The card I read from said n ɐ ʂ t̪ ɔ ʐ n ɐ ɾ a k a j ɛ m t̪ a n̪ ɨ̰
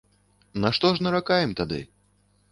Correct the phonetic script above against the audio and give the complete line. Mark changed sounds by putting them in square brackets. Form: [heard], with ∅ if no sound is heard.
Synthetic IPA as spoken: n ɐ ʂ t̪ ɔ ʐ n ɐ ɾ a k a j ɛ m t̪ a [d̪] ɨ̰